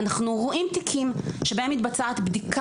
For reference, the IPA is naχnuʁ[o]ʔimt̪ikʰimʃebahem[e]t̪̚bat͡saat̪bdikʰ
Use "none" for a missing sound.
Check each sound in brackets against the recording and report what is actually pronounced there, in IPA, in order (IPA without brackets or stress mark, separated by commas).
o, i